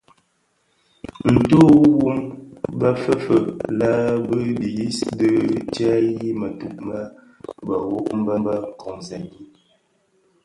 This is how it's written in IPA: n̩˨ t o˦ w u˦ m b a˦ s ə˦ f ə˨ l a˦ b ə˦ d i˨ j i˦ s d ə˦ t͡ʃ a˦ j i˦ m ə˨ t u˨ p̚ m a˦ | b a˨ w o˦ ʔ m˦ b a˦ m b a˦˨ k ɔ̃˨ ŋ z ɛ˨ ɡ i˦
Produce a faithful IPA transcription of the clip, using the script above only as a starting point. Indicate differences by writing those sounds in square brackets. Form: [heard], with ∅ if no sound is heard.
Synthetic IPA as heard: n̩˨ t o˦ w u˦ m b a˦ [f] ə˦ f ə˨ l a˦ b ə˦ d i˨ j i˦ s d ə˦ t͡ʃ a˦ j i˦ m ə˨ t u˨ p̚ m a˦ | b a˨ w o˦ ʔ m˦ b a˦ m b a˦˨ k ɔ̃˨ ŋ z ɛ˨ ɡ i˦